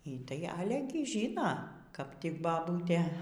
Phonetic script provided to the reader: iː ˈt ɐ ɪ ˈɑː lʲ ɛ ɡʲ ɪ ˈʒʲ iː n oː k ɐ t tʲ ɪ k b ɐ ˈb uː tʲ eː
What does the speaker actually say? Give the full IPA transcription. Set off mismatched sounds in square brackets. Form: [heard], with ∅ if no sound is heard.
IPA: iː ˈt ɐ ɪ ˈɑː lʲ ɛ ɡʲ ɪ ˈʒʲ iː n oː k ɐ [p] tʲ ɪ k b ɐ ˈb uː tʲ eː